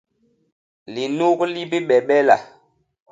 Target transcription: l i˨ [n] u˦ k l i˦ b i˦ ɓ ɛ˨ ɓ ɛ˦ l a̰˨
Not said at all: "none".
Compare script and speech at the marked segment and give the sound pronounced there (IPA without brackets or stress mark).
n